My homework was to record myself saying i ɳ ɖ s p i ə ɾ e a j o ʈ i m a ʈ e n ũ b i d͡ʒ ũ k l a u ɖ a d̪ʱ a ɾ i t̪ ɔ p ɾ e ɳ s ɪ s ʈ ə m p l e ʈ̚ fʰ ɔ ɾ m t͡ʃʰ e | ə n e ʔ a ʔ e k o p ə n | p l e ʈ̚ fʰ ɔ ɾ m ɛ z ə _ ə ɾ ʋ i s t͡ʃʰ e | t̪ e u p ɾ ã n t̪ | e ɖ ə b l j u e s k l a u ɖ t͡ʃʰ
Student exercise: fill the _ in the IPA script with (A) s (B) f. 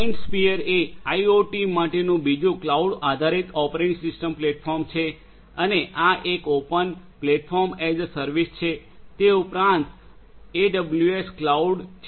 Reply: A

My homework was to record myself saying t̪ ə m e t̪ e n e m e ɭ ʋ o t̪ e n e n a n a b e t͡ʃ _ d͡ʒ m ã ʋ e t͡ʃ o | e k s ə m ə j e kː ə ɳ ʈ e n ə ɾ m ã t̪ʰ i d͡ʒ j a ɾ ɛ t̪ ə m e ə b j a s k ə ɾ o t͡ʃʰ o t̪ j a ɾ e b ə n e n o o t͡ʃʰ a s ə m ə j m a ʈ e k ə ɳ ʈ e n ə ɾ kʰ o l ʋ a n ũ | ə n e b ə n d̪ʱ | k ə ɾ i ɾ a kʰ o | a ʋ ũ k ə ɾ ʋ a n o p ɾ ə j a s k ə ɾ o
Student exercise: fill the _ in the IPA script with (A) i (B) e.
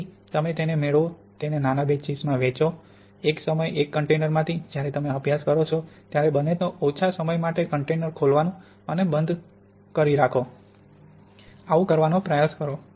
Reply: A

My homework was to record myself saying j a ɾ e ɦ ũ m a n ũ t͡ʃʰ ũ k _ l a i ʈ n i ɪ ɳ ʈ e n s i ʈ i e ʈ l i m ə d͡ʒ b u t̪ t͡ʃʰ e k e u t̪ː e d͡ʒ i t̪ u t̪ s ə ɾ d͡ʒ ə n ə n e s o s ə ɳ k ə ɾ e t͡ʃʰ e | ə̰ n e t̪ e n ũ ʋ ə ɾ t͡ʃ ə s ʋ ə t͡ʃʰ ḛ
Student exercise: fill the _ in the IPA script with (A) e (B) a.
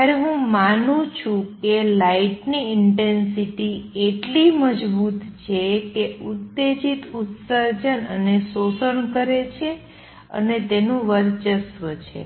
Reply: A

